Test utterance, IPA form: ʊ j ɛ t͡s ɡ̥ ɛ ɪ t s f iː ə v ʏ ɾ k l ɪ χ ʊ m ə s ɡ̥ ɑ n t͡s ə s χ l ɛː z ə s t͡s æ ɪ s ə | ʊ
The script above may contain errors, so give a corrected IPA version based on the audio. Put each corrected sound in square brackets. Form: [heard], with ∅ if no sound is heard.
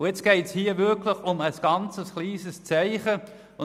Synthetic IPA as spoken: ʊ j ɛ t͡s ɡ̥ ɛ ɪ t s [h] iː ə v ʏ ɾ k l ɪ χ ʊ m ə s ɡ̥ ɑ n t͡s ə s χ l [iː] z ə s t͡s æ ɪ [χ] ə | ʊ